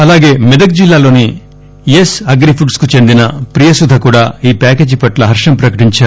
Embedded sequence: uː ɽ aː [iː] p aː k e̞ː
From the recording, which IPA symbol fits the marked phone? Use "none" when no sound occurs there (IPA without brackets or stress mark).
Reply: iː